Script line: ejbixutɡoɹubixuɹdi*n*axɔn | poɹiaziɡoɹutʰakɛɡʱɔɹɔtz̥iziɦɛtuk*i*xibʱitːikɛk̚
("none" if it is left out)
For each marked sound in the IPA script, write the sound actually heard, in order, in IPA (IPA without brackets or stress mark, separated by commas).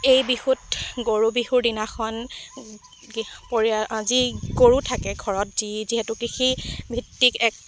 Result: n, i